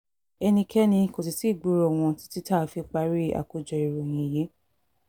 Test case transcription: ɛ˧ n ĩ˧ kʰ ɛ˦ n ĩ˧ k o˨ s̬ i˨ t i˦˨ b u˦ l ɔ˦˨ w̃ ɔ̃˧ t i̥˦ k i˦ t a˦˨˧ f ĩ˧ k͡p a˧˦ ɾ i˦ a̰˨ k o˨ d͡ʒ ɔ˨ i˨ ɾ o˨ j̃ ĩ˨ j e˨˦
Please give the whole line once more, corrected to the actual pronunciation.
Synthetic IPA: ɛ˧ n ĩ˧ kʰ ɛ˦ n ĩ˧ k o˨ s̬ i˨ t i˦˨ ɡ͡b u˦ ɾ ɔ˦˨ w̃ ɔ̃˧ t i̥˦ t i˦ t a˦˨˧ f i˧ k͡p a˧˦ ɾ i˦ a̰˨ k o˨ d͡ʒ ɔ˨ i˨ ɾ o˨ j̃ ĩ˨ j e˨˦